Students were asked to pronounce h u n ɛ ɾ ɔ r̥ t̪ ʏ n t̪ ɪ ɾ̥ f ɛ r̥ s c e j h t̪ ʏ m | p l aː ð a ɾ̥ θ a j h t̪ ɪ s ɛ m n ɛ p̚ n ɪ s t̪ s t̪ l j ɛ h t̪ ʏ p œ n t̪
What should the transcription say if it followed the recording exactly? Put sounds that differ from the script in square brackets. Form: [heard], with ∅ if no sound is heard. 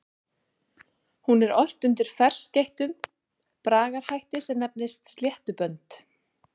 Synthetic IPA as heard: h u n ɛ ɾ ɔ r̥ t̪ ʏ n t̪ ɪ ɾ̥ f ɛ r̥ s c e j h t̪ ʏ m | p [ɾ] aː [ɣ] a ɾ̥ [h] a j h t̪ ɪ s ɛ m n ɛ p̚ n ɪ s t̪ s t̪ l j ɛ h t̪ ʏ p œ n t̪

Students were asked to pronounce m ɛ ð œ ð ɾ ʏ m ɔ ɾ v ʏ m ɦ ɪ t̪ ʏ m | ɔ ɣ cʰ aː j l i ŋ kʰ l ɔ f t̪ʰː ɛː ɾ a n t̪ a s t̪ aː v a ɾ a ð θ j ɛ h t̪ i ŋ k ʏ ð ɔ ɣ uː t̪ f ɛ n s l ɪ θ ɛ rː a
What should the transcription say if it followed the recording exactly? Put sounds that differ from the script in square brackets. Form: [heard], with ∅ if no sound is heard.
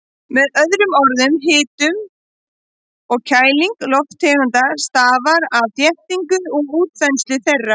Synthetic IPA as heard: m ɛ ð œ ð ɾ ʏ m ɔ ɾ [ð] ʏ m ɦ [ɪː] t̪ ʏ m | ɔ ɣ cʰ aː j l i ŋ [k] l ɔ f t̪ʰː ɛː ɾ a n t̪ a s t̪ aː v a ɾ a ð θ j ɛ h t̪ i ŋ k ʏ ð ɔ ɣ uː t̪ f ɛ n s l ɪ θ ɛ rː a

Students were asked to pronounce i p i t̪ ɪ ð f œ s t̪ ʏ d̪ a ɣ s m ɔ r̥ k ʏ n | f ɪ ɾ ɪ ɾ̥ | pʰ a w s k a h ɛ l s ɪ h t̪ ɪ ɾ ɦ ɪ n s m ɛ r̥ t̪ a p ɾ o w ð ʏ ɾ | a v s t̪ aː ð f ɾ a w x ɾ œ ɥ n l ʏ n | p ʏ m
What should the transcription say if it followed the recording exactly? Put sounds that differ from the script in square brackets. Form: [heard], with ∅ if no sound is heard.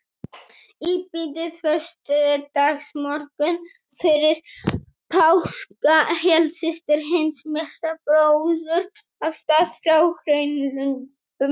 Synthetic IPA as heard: i p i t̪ ɪ ð f œ s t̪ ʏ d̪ a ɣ s m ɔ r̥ k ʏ n | f ɪ ɾ ɪ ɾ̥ | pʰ a w s k a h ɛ l s ɪ [s] t̪ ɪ ɾ ɦ ɪ n s m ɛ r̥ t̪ a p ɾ o w ð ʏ ɾ | a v s t̪ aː ð f ɾ a w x ɾ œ ɥ n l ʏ n | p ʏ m

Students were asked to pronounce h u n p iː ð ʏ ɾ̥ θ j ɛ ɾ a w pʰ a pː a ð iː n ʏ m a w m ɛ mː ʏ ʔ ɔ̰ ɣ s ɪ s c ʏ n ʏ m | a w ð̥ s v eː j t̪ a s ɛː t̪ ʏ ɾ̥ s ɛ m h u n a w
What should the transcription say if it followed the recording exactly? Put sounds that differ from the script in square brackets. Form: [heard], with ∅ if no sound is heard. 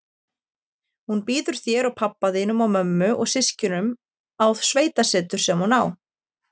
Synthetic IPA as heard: h u n p iː ð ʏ ɾ̥ θ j ɛ ɾ a w pʰ a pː a ð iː n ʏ m a w m [œ] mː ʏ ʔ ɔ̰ ɣ s ɪ s c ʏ n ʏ m | a w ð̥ s v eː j t̪ a s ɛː t̪ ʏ ɾ̥ s ɛ m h u n a w

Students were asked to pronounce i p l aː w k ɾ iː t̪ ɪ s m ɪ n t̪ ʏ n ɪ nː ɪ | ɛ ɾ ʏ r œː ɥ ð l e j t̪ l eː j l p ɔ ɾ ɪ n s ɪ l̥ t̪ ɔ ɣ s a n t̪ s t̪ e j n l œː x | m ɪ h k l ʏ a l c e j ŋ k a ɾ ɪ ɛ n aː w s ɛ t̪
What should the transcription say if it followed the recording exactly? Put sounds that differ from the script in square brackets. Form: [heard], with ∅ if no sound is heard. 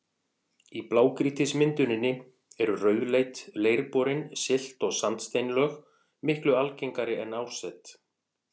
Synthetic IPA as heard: i p l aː w k ɾ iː t̪ ɪ s m ɪ n t̪ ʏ n ɪ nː ɪ | ɛ ɾ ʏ r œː ɥ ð l e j t̪ l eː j [ɾ] p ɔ ɾ ɪ n s ɪ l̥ t̪ ɔ ɣ s a n t̪ s t̪ e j n l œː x | m ɪ h k l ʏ a l c e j ŋ k a ɾ ɪ ɛ n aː w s ɛ t̪

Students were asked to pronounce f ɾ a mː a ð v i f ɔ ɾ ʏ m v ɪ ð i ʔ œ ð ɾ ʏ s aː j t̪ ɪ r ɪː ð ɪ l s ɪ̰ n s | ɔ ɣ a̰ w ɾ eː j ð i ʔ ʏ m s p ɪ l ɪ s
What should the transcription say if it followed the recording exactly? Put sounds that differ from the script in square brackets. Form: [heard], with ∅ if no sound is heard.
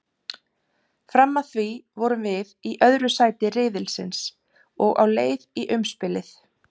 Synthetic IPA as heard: f ɾ a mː a [θ] v i [v] ɔ ɾ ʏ m v ɪ ð i ʔ œ ð ɾ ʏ s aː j t̪ ɪ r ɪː ð ɪ l s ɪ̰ n s | ɔ ɣ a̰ w [l] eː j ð i ʔ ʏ m s p ɪ l ɪ [θ]

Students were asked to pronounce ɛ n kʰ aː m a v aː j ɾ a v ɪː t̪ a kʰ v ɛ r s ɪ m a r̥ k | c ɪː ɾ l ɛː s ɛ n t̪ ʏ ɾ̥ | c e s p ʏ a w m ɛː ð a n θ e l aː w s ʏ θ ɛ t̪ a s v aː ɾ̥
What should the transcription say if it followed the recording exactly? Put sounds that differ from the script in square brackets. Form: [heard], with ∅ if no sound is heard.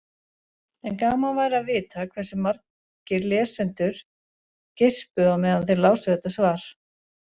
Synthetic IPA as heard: ɛ n [k] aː m a v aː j ɾ a v ɪː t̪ a kʰ v ɛ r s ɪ m a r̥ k | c [ɪ] ɾ l ɛː s ɛ n t̪ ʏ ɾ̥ | c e s p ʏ a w m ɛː ð a n θ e l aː w s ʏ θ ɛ t̪ a s v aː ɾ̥

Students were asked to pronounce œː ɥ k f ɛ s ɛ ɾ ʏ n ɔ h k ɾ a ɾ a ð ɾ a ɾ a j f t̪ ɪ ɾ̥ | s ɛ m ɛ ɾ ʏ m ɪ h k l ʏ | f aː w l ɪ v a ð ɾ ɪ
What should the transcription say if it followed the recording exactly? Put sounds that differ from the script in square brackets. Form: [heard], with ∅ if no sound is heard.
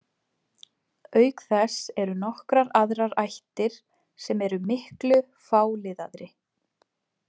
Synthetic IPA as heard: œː ɥ k [θ] ɛ s ɛ ɾ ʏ n ɔ h k ɾ a ɾ a ð ɾ a ɾ a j [h] t̪ ɪ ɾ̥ | s ɛ m ɛ ɾ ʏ m ɪ h k l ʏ | f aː w l ɪ [ð] a ð ɾ ɪ

